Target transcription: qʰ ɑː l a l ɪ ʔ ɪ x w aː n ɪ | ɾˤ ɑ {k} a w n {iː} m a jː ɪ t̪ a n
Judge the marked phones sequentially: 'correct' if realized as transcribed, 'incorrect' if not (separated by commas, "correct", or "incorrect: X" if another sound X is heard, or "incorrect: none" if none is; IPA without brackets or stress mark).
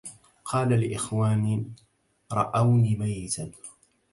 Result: incorrect: ʔ, correct